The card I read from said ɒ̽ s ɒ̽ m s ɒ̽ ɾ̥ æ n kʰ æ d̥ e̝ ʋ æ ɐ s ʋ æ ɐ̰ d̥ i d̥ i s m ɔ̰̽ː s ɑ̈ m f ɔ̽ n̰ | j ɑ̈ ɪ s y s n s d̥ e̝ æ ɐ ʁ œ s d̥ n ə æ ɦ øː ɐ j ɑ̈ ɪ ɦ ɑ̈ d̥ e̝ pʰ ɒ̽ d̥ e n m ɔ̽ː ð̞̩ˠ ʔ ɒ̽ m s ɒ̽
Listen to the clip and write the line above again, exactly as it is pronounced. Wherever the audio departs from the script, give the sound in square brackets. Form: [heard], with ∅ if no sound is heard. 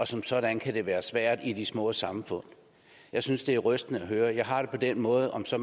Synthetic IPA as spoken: ɒ̽ s ɒ̽ m s ɒ̽ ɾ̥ æ n kʰ æ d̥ e̝ ʋ [æː] ɐ s ʋ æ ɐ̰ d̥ i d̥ i s m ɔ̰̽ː s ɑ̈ m f ɔ̽ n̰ | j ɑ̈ ɪ s y [∅] n s d̥ e̝ æ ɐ ʁ œ s d̥ n ə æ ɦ øː ɐ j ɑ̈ ɪ ɦ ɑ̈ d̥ e̝ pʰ ɒ̽ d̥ e n m ɔ̽ː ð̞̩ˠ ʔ ɒ̽ m s ɒ̽